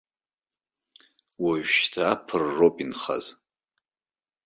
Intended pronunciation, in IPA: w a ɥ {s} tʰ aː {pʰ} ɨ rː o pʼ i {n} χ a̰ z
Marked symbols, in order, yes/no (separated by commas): no, yes, yes